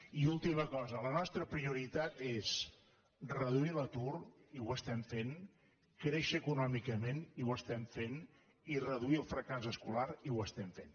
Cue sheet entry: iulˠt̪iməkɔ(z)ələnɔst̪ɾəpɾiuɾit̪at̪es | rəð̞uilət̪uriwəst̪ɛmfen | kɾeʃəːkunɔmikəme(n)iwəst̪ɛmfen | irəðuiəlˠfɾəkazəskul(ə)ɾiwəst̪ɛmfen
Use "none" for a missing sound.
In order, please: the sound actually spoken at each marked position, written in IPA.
z, n, a

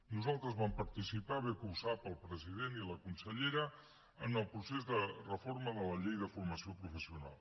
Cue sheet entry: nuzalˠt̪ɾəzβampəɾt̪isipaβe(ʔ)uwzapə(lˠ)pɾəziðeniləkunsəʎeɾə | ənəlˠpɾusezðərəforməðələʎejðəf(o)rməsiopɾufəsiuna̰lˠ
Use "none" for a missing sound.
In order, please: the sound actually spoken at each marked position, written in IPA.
k, lˠ, u

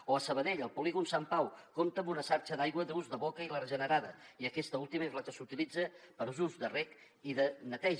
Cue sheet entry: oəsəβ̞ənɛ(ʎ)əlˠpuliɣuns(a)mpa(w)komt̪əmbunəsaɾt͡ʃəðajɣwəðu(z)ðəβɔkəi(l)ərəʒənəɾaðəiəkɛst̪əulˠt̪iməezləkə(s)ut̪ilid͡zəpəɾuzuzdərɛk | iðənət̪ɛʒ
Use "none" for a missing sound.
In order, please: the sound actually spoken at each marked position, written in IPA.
ʎ, a, w, z, l, s

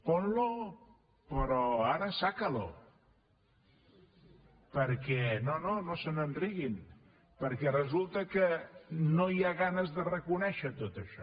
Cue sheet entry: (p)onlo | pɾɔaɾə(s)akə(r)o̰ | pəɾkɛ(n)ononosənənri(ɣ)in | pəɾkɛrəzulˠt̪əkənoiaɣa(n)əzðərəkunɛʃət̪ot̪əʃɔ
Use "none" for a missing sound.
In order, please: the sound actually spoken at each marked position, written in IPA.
p, s, l, n, ɣ, n

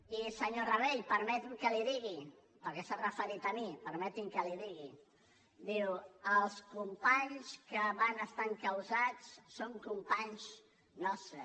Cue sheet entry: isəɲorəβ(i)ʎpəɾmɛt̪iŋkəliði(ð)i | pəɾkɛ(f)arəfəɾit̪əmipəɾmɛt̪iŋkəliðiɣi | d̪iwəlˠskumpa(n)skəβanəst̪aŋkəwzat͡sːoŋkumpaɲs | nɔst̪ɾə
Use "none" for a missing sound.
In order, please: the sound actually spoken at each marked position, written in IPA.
e, ɣ, s, ɲ

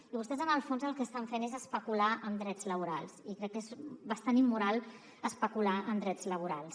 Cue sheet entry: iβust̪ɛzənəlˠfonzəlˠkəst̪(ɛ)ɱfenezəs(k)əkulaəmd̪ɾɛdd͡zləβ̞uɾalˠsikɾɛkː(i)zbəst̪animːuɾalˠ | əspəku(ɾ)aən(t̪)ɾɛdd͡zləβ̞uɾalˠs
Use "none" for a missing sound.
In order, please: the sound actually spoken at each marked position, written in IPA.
a, p, e, l, d̪

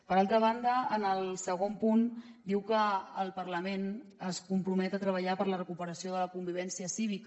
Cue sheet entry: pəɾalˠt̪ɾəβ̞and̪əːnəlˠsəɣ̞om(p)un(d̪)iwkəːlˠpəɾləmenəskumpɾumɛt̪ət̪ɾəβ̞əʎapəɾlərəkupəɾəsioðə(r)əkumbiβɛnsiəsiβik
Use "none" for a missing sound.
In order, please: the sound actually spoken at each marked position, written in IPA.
p, d̪, l

